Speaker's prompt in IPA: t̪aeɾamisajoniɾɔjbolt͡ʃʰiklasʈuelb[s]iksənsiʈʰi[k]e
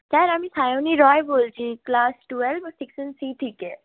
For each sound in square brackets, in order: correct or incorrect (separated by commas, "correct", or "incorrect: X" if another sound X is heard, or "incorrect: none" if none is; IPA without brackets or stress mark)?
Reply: correct, correct